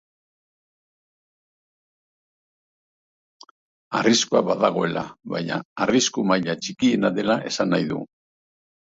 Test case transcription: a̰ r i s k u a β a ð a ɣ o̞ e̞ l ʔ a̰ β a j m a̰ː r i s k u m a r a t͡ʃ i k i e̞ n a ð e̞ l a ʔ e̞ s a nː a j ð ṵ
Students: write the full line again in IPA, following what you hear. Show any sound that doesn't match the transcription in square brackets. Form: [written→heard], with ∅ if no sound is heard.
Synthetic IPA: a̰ r i s k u a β a ð a ɣ o̞ e̞ l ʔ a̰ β a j [m→ɲ] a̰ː r i s k u m a [r→ʎ] a t͡ʃ i k i e̞ n a ð e̞ l a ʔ e̞ s a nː a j ð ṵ

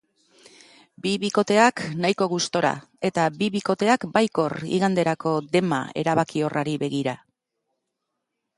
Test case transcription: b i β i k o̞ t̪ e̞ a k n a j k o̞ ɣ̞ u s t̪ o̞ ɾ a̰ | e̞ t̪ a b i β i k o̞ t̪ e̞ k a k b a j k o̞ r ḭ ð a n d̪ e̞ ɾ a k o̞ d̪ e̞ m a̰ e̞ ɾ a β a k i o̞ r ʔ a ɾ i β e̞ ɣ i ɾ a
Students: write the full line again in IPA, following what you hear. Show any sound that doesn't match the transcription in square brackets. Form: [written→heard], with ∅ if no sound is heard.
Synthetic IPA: b i β i k o̞ t̪ e̞ a k n a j k o̞ ɣ̞ u s t̪ o̞ ɾ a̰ | e̞ t̪ a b i β i k o̞ t̪ e̞ [k→∅] a k b a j k o̞ r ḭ [ð→ɣ] a n d̪ e̞ ɾ a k o̞ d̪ e̞ m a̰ e̞ ɾ a β a k i o̞ r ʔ a ɾ i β e̞ ɣ i ɾ a

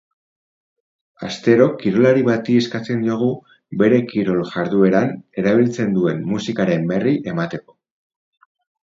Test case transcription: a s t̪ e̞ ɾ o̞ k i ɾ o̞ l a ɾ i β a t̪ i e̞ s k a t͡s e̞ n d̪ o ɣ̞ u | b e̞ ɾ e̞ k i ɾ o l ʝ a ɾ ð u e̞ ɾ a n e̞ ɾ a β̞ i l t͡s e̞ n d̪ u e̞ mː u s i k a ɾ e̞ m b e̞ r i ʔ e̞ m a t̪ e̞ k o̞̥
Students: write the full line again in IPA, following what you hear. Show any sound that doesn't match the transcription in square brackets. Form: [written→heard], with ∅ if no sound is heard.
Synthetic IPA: a s t̪ e̞ ɾ o̞ k i ɾ o̞ l a ɾ i β a t̪ i e̞ s k a t͡s e̞ n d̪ o ɣ̞ u | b e̞ ɾ e̞ k i ɾ o l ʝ a ɾ ð u e̞ ɾ a n e̞ ɾ a β̞ i l t͡s e̞ n d̪ u e̞ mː u s i k a ɾ e̞ m b e̞ r i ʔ e̞ m a t̪ e̞ k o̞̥

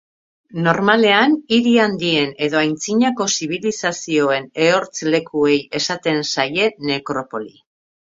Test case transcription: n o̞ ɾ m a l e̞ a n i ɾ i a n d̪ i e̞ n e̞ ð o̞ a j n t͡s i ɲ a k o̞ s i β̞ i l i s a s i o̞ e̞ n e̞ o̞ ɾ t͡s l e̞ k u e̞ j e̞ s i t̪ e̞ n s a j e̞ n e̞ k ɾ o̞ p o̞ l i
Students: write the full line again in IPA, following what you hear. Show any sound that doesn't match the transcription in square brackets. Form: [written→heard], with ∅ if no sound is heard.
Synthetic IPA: n o̞ ɾ m a l e̞ a n i ɾ i a n d̪ i e̞ n e̞ ð o̞ a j n t͡s i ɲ a k o̞ s i β̞ i l i s a s i o̞ e̞ n e̞ o̞ ɾ t͡s l e̞ k u e̞ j e̞ s [i→a] t̪ e̞ n s a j e̞ n e̞ k ɾ o̞ p o̞ l i

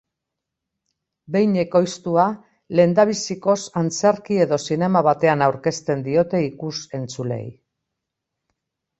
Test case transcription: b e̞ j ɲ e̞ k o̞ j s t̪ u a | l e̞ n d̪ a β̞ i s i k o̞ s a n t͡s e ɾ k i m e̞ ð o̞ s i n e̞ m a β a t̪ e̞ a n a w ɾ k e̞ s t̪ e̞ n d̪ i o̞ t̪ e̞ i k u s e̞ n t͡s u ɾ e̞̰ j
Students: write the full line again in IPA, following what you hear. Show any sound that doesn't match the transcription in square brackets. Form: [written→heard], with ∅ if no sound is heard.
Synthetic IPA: b e̞ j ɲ e̞ k o̞ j s t̪ u a | l e̞ n d̪ a β̞ i s i k o̞ s a n t͡s e ɾ k i [m→∅] e̞ ð o̞ s i n e̞ m a β a t̪ e̞ a n a w ɾ k e̞ s t̪ e̞ n d̪ i o̞ t̪ e̞ i k u s e̞ n t͡s u [ɾ→l] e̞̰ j

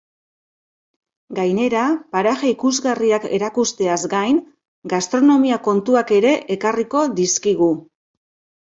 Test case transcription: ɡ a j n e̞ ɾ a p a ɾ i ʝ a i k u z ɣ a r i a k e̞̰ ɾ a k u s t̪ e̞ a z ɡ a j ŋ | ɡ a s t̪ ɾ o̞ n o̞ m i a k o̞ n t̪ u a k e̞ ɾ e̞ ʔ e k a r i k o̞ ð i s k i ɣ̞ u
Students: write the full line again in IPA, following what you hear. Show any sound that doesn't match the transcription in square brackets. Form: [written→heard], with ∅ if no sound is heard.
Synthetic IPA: ɡ a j n e̞ ɾ a p a ɾ [i→a] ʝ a i k u z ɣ a r i a k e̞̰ ɾ a k u s t̪ e̞ a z ɡ a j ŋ | ɡ a s t̪ ɾ o̞ n o̞ m i a k o̞ n t̪ u a k e̞ ɾ e̞ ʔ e k a r i k o̞ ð i s k i ɣ̞ u

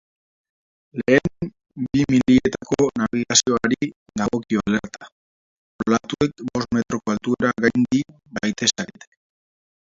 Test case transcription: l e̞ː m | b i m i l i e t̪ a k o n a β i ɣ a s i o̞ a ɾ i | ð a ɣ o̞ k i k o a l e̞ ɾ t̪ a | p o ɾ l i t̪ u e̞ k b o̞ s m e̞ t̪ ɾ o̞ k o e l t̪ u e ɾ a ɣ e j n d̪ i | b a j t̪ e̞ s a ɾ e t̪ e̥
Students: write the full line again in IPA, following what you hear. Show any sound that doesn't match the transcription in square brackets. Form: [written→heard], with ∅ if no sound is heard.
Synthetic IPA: l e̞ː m | b i m i l i e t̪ a k o n a β i ɣ a s i o̞ a ɾ i | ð a ɣ o̞ k i [k→∅] o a l e̞ ɾ t̪ a | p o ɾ l [i→a] t̪ u e̞ k b o̞ s m e̞ t̪ ɾ o̞ k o [e→a] l t̪ u e ɾ a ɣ [e→a] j n d̪ i | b a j t̪ e̞ s a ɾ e t̪ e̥

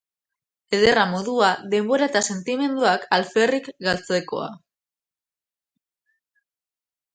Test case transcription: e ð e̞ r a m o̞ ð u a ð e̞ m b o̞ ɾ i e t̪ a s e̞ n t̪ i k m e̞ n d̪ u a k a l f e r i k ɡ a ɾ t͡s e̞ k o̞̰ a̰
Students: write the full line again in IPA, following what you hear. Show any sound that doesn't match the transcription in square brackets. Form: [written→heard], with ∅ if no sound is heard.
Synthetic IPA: e ð e̞ r a m o̞ ð u a ð e̞ m b o̞ ɾ [i→a] e t̪ a s e̞ n t̪ i [k→∅] m e̞ n d̪ u a k a l f e r i k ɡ a [ɾ→l] t͡s e̞ k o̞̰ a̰

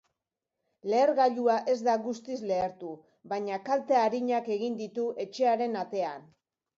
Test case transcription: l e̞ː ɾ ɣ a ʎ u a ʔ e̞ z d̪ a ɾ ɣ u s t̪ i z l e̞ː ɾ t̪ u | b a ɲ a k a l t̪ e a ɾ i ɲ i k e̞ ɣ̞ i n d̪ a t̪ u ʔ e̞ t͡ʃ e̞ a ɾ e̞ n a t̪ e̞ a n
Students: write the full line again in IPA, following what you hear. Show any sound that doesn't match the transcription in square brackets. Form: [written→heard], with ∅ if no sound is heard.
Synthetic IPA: l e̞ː ɾ ɣ a ʎ u a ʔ e̞ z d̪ a [ɾ→∅] ɣ u s t̪ i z l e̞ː ɾ t̪ u | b a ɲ a k a l t̪ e a ɾ i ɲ [i→a] k e̞ ɣ̞ i n d̪ [a→i] t̪ u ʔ e̞ t͡ʃ e̞ a ɾ e̞ n a t̪ e̞ a n

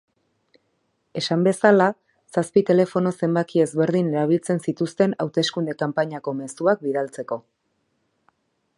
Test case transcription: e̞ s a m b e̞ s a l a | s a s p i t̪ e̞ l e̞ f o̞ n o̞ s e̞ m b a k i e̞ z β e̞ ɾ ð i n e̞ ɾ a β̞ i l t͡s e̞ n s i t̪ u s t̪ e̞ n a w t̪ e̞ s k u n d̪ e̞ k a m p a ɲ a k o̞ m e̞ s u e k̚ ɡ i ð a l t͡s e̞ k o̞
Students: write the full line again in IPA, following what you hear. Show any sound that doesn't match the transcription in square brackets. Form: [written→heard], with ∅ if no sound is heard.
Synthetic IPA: e̞ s a m b e̞ s a l a | s a s p i t̪ e̞ l e̞ f o̞ n o̞ s e̞ m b a k i e̞ z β e̞ ɾ ð i n e̞ ɾ a β̞ i l t͡s e̞ n s i t̪ u s t̪ e̞ n a w t̪ e̞ s k u n d̪ e̞ k a m p a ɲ a k o̞ m e̞ s u [e→a] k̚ [ɡ→b] i ð a l t͡s e̞ k o̞

